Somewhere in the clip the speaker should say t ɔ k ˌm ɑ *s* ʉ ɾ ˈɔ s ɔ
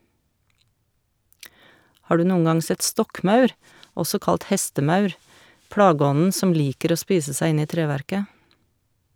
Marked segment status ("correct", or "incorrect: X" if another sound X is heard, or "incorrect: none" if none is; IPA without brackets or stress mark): incorrect: none